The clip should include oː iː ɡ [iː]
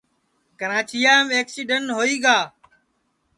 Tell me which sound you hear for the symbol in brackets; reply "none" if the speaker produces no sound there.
aː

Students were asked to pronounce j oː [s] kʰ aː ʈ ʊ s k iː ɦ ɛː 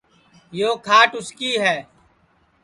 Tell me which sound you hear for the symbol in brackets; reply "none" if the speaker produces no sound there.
none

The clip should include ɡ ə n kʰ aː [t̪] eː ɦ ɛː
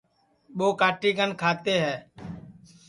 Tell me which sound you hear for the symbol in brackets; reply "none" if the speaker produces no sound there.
t̪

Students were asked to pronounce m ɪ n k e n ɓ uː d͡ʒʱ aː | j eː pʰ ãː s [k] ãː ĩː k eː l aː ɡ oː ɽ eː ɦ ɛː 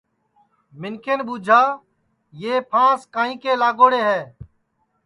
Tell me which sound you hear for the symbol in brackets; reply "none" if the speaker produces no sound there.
k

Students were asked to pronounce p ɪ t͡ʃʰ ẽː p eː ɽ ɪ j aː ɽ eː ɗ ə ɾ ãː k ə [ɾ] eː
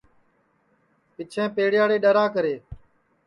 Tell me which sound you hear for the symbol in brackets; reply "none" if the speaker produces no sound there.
ɾ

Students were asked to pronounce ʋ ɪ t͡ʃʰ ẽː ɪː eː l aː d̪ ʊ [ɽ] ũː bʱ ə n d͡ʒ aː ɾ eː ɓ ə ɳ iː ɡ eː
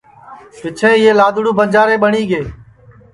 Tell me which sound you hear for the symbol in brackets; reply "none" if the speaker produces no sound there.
ɽ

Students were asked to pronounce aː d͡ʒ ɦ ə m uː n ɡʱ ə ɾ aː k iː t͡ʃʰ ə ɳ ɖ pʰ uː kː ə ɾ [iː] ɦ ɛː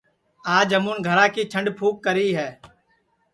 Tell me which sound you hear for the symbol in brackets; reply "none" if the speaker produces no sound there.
iː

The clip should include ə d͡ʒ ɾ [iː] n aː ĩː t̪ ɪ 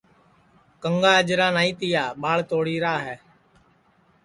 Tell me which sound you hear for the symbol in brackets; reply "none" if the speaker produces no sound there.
aː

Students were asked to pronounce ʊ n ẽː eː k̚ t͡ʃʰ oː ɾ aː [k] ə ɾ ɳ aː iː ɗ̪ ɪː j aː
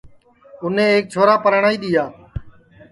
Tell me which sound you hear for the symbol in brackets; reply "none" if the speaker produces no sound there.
p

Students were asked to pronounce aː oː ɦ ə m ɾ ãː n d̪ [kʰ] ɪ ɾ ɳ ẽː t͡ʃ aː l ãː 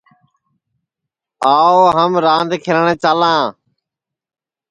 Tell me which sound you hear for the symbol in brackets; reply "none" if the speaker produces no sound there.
kʰ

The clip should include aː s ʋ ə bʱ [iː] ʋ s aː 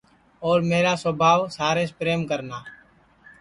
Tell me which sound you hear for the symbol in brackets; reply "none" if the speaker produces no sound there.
aː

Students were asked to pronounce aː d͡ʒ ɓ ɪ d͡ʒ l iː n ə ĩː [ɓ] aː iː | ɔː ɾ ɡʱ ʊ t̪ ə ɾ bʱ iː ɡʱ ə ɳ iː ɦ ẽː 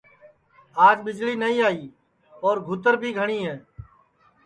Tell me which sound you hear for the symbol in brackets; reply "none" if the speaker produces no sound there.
none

